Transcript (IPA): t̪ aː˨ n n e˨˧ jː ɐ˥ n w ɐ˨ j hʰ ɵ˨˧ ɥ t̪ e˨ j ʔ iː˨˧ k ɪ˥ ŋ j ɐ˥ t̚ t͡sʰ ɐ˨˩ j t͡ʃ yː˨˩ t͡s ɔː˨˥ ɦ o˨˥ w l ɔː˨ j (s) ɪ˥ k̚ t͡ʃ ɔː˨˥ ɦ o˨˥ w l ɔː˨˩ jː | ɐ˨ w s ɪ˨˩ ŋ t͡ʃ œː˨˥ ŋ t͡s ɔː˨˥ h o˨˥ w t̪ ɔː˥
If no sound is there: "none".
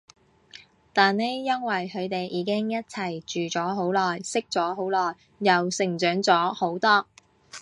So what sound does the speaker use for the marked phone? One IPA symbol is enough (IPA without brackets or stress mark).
s